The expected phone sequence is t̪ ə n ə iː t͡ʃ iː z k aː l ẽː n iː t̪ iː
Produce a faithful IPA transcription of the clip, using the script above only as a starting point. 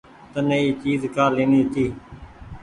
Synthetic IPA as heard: t̪ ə n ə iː t͡ʃ iː z k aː l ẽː n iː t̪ iː